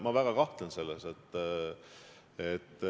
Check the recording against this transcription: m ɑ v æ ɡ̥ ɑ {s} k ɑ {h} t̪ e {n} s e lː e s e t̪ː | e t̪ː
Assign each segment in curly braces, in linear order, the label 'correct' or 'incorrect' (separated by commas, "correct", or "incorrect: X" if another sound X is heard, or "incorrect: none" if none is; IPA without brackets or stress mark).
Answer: incorrect: none, correct, correct